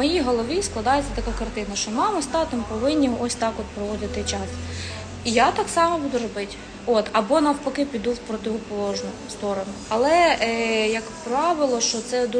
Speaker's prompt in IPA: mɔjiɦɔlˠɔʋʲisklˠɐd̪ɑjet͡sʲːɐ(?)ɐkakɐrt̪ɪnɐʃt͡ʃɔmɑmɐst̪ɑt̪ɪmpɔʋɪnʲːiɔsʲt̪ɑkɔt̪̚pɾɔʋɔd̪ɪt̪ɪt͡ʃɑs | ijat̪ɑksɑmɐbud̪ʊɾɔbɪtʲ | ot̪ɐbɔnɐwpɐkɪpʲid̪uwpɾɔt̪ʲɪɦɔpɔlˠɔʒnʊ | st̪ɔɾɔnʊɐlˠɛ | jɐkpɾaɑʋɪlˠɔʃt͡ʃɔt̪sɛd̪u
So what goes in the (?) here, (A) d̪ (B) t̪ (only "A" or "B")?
B